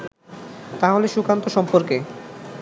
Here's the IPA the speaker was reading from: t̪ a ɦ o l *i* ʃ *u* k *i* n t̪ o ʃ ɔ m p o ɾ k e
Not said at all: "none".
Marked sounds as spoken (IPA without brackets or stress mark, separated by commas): e, u, a